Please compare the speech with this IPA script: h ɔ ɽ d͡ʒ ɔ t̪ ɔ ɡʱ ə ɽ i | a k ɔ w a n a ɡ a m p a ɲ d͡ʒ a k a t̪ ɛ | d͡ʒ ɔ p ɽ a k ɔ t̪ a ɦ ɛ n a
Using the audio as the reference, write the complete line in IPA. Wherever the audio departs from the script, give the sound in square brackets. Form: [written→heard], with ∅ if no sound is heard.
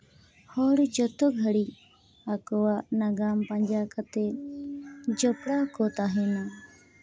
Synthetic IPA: h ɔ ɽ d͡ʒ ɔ t̪ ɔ ɡʱ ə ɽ i | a k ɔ w a n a ɡ a m p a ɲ d͡ʒ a k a t̪ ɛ | d͡ʒ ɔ p ɽ a k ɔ t̪ a ɦ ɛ n a